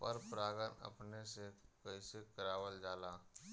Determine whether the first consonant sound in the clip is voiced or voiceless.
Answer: voiceless